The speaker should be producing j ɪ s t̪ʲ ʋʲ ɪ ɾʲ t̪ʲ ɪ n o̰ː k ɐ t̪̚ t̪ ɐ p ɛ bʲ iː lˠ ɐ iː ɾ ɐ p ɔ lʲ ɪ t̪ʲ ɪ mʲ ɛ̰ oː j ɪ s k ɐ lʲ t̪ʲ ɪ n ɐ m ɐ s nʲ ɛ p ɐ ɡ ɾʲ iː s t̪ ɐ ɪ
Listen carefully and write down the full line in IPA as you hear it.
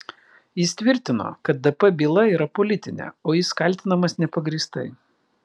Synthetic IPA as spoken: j ɪ s t̪ʲ ʋʲ ɪ ɾʲ t̪ʲ ɪ n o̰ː k ɐ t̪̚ d̪ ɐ p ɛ bʲ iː lˠ ɐ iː ɾ ɐ p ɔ lʲ ɪ t̪ʲ ɪ nʲ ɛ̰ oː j ɪ s k ɐ lʲ t̪ʲ ɪ n ɐ m ɐ s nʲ ɛ p ɐ ɡ ɾʲ iː s t̪ ɐ ɪ